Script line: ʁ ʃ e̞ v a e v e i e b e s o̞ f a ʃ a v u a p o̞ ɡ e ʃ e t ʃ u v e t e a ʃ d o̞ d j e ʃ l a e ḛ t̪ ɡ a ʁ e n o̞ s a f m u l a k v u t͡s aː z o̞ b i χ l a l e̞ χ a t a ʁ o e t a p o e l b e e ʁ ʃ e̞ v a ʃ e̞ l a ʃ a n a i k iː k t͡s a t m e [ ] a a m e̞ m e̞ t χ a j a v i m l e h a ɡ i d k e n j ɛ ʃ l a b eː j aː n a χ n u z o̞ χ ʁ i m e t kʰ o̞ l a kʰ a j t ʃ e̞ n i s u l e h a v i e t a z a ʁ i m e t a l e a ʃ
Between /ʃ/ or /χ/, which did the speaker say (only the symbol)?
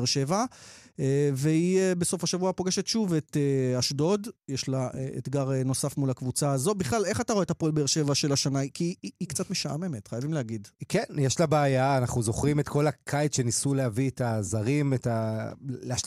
ʃ